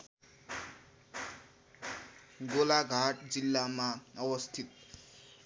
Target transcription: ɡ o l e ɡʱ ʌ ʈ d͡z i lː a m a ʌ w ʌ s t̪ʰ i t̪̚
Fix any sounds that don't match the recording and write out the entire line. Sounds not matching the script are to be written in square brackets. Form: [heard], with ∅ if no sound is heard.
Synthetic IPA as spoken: ɡ o l [a] ɡʱ [a] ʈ d͡z i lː a m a ʌ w ʌ s t̪ʰ i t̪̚